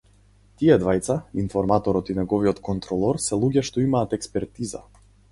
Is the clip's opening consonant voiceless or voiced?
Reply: voiceless